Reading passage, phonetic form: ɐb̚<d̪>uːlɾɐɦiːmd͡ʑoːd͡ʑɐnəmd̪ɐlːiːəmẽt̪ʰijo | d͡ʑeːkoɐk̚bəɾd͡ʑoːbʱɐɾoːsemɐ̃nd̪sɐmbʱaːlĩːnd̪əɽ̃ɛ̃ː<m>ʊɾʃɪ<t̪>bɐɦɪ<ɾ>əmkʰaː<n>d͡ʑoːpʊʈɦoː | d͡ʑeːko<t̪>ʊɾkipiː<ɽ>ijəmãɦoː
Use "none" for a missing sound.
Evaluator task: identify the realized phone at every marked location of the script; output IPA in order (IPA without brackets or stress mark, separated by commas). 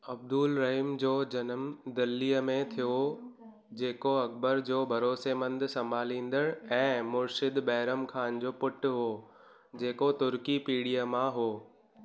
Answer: d̪, m, d̪, ɾ, n, t̪, ɽ